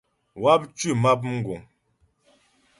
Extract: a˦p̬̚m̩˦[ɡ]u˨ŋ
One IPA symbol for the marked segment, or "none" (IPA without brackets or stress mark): ɡ